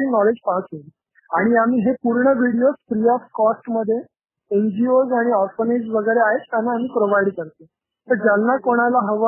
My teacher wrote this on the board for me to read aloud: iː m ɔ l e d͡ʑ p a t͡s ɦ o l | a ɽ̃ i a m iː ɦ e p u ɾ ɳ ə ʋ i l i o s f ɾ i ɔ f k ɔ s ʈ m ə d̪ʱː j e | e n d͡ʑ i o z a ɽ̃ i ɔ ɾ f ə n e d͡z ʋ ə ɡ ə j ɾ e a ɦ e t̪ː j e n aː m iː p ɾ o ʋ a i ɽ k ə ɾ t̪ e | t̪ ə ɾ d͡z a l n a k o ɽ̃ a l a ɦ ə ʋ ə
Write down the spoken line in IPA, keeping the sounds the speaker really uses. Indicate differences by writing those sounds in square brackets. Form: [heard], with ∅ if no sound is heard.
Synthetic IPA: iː [n] ɔ l e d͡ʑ p a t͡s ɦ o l | a ɽ̃ i a m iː ɦ e p u ɾ ɳ ə ʋ i [ɽ] i o s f ɾ i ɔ f k ɔ s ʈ m ə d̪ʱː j e | e n d͡ʑ i o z a ɽ̃ i ɔ ɾ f ə n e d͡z ʋ ə ɡ ə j ɾ e a ɦ e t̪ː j [a] n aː m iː p ɾ o ʋ a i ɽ k ə ɾ t̪ e | t̪ ə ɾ d͡z a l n a k o ɽ̃ a l a ɦ ə ʋ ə